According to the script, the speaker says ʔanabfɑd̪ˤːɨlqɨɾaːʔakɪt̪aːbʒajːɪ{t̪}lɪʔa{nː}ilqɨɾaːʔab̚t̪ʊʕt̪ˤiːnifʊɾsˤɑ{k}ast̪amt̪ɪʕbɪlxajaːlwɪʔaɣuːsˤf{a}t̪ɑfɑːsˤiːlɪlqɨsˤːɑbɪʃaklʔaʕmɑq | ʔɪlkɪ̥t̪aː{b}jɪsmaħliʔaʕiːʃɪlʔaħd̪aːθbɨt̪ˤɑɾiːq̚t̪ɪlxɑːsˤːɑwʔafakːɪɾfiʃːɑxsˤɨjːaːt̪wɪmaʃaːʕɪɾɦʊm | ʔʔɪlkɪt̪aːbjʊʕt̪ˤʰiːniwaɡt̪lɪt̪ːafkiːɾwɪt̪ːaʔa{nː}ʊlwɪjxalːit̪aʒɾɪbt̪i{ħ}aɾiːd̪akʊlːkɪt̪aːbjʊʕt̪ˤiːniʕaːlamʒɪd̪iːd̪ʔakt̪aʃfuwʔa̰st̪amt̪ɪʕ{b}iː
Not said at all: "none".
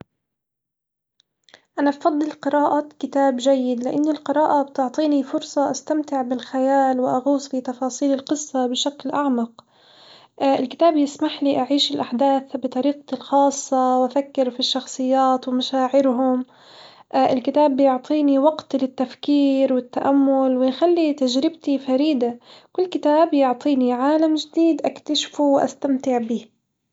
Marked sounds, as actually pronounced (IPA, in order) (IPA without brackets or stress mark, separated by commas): d̪, nː, ʔ, i, b, mː, f, b